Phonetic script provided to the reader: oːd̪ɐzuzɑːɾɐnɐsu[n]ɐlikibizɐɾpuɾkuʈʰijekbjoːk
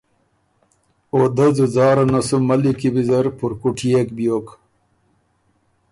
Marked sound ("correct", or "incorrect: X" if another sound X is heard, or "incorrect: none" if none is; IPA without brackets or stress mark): incorrect: m